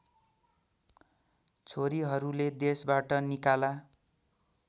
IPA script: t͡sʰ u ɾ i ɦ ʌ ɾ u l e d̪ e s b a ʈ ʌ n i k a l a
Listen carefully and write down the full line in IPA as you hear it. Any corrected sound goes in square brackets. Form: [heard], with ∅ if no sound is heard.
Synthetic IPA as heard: t͡sʰ [o] ɾ i ɦ ʌ ɾ u l e d̪ e s b a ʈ ʌ n i k a l a